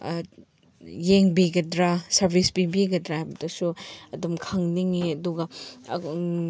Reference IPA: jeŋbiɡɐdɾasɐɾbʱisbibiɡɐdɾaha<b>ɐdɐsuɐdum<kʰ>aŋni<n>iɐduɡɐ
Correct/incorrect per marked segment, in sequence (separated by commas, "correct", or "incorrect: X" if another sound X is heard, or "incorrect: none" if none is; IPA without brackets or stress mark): correct, correct, incorrect: ŋ